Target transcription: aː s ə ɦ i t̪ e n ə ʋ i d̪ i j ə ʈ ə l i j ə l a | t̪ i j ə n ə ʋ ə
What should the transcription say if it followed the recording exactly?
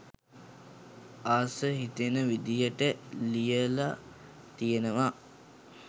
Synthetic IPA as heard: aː s ə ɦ i t̪ e n ə ʋ i d̪ i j ə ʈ ə l i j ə l a | t̪ i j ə n ə ʋ a